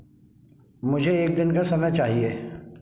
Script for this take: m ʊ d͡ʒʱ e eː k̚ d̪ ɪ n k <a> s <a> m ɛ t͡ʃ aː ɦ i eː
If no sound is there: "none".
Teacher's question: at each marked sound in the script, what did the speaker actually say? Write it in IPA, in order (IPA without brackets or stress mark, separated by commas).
a, ɐ